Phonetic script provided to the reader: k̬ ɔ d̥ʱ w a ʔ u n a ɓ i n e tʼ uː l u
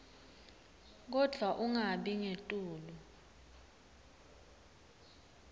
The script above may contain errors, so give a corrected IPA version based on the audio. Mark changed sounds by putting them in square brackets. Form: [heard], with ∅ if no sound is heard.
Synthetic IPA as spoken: k̬ ɔ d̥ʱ w a ʔ u [ŋ] a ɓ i [ŋ] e tʼ uː l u